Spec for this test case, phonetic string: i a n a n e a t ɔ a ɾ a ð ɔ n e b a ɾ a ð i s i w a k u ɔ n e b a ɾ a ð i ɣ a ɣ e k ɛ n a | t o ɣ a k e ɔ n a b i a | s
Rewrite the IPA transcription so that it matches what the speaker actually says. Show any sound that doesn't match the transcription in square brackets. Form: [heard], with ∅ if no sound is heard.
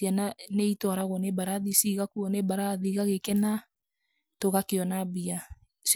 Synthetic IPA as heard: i a n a n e [i] t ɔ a ɾ a [ɣ] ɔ n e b a ɾ a ð i s i [ɣ] a k u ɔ n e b a ɾ a ð i ɣ a ɣ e k ɛ n a | t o ɣ a k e ɔ n a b i a | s